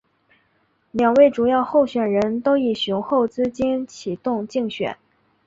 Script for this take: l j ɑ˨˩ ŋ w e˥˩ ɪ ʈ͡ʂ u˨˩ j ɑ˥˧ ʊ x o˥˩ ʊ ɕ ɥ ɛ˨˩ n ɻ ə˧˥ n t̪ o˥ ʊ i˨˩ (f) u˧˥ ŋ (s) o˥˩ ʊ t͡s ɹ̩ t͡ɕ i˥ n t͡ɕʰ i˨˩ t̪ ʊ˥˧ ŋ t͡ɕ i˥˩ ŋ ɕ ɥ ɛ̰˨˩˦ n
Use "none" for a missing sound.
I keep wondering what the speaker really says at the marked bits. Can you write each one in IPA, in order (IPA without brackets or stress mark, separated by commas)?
ɕ, x